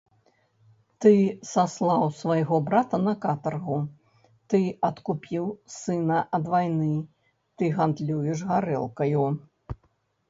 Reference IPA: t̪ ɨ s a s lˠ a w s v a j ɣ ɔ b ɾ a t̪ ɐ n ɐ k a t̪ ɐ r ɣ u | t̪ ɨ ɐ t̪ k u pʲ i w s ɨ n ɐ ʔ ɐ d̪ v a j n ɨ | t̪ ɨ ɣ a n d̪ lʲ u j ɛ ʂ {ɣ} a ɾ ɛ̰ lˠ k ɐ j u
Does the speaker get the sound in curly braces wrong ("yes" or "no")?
no